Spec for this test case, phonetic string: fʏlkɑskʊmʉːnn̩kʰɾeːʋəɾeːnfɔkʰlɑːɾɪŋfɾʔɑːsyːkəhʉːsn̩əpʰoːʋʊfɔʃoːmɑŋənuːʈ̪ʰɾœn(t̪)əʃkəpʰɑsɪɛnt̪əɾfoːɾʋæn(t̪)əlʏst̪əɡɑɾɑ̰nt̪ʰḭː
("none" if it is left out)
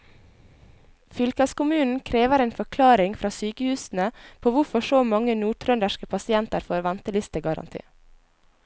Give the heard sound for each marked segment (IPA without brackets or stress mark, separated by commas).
d̪, t̪